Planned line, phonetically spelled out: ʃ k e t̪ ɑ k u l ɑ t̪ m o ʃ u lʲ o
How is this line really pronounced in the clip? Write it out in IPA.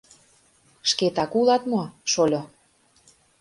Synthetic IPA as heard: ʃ k e t̪ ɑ k u l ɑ t̪ m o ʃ o lʲ o